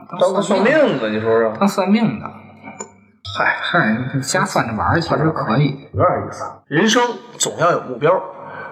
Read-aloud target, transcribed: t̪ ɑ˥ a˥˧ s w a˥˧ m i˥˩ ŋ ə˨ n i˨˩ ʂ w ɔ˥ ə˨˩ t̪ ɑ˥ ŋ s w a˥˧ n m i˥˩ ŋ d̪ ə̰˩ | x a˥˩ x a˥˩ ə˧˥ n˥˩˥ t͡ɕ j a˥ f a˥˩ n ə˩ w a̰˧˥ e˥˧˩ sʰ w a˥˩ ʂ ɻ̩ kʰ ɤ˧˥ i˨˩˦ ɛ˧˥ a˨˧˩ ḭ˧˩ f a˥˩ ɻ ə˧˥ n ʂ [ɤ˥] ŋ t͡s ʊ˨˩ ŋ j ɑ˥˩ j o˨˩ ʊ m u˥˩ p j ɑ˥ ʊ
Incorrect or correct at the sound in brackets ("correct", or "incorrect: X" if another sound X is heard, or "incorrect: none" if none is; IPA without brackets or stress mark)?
correct